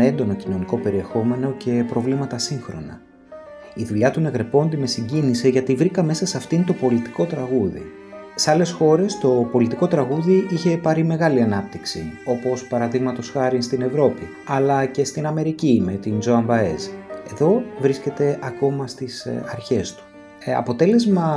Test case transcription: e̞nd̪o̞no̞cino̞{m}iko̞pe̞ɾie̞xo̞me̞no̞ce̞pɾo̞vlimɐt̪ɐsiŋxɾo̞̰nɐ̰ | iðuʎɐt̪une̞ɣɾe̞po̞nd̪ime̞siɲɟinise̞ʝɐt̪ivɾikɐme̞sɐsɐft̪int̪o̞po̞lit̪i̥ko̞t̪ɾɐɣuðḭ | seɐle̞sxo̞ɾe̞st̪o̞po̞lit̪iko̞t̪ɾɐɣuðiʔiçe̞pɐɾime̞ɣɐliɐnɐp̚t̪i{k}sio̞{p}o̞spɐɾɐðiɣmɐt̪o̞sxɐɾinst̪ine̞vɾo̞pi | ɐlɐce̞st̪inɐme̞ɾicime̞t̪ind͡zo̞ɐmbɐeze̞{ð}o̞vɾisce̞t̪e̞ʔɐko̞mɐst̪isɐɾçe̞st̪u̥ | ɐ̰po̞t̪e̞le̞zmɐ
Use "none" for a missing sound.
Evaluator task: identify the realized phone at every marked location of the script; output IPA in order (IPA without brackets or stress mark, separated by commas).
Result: n, k, p, ð